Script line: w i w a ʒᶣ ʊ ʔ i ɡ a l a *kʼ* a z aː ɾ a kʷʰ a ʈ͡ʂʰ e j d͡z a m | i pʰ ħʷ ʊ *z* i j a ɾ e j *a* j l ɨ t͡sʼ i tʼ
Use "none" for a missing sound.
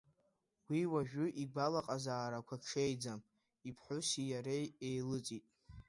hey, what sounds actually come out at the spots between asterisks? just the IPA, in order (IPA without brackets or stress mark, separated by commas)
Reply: qʼ, s, e